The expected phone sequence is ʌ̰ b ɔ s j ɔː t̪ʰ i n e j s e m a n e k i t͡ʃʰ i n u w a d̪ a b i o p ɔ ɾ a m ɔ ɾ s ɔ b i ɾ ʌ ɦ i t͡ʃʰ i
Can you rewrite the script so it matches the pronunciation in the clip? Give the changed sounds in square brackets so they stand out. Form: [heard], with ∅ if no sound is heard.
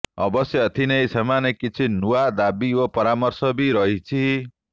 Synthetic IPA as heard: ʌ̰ b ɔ s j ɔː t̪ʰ i n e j s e m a n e k i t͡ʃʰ i n u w a d̪ a b i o p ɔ ɾ a m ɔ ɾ s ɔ b i ɾ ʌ ɦ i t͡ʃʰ i